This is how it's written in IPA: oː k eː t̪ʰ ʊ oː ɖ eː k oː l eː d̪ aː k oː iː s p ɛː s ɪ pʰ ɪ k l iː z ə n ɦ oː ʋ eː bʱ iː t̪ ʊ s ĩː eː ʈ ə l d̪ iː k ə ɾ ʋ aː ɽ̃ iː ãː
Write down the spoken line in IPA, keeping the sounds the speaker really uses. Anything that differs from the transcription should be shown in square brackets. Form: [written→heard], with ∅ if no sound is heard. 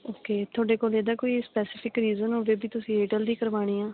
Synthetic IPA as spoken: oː k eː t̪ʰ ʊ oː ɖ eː k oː l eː d̪ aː k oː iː s p ɛː s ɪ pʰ ɪ k [l→ɾ] iː z ə n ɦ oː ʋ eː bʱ iː t̪ ʊ s ĩː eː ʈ ə l d̪ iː k ə ɾ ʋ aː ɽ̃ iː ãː